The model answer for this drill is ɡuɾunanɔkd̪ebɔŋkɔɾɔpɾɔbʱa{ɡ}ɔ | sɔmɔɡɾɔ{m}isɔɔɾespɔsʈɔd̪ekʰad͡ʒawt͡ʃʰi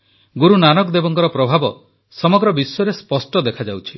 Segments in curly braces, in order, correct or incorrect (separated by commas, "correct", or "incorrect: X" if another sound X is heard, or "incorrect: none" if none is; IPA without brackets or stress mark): incorrect: b, incorrect: b